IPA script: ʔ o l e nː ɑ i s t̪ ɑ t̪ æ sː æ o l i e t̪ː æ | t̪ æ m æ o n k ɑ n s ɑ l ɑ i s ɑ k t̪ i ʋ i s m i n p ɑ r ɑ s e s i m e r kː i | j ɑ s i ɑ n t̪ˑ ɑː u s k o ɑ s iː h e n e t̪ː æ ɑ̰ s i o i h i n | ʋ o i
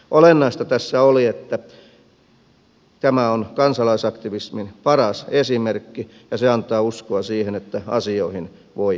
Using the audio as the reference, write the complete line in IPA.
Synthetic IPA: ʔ o l e nː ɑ i s t̪ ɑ t̪ æ sː æ o l i e t̪ː æ | t̪ æ m æ o n k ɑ n s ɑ l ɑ i s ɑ k t̪ i ʋ i s m i n p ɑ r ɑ s e s i m e r kː i | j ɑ s e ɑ n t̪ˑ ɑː u s k o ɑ s iː h e n e t̪ː æ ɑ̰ s i o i h i n | ʋ o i

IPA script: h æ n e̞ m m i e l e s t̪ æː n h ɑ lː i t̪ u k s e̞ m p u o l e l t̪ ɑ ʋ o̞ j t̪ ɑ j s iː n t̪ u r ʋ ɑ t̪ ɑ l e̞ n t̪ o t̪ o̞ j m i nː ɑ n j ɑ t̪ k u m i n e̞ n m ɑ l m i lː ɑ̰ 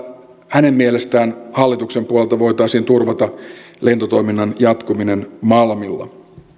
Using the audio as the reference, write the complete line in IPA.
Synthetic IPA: h æ n e̞ m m i e l e s t̪ æː n h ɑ lː i t̪ u k s e̞ m p u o l e l t̪ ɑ ʋ o̞ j t̪ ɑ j s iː n t̪ u r ʋ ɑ t̪ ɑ l e̞ n t̪ o t̪ o̞ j m i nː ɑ n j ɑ t̪ k u m i n e̞ n m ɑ l m i lː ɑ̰

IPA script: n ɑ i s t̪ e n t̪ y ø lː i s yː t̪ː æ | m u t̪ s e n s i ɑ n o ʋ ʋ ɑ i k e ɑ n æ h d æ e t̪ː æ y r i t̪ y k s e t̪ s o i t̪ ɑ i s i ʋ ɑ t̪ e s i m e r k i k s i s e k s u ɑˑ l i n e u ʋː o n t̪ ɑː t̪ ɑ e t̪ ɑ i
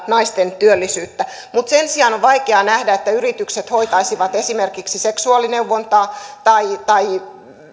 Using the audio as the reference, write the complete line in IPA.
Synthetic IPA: n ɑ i s t̪ e n t̪ y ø lː i s yː t̪ː æ | m u t̪ s e n s i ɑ n o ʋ ʋ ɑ i k e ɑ n æ h d æ e t̪ː æ y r i t̪ y k s e t̪ h o i t̪ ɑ i s i ʋ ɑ t̪ e s i m e r k i k s i s e k s u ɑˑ l i n e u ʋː o n t̪ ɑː t̪ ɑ i t̪ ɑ i

